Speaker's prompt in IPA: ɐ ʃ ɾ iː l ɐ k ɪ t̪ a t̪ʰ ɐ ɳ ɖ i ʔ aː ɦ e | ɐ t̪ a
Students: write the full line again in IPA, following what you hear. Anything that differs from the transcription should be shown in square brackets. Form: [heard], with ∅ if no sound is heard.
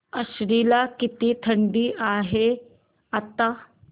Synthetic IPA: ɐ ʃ ɾ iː l [a] k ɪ t̪ [i] t̪ʰ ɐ ɳ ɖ i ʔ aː ɦ e | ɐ t̪ a